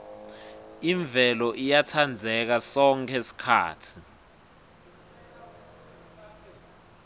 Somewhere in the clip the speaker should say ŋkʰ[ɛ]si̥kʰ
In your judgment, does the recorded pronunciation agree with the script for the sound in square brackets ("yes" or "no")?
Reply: yes